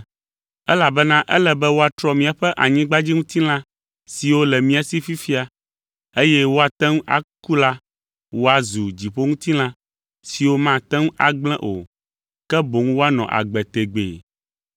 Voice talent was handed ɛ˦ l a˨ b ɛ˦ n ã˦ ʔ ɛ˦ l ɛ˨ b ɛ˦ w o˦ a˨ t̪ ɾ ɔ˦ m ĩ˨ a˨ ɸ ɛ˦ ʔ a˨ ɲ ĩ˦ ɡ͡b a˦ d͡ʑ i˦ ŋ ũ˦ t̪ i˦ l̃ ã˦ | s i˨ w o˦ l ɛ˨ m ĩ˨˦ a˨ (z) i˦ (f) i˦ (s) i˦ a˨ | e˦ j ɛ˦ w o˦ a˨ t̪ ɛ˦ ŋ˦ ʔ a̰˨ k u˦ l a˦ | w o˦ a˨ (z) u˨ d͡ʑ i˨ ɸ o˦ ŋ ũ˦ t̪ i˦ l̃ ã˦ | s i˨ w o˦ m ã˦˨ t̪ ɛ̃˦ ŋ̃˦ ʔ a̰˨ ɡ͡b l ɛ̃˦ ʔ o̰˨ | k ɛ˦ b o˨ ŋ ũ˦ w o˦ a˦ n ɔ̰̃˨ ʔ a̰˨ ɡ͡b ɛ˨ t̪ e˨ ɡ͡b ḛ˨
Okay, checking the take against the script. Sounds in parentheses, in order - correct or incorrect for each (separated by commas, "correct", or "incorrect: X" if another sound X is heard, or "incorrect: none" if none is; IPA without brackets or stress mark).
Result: incorrect: s, correct, incorrect: f, correct